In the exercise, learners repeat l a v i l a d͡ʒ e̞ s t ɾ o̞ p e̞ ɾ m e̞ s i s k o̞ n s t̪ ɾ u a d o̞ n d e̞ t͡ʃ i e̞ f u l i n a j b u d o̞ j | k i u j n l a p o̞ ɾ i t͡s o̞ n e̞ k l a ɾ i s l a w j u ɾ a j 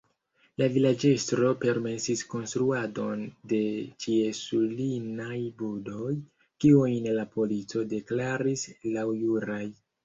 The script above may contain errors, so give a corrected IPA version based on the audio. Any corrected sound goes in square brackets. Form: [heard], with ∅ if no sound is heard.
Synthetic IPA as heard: l a v i l a d͡ʒ e̞ s t ɾ o̞ p e̞ ɾ m e̞ s i s k o̞ n s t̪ ɾ u a d o̞ n d e̞ t͡ʃ i e̞ [s] u l i n a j b u d o̞ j | k i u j n l a p o̞ [l] i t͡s o̞ [d] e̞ k l a ɾ i s l a w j u ɾ a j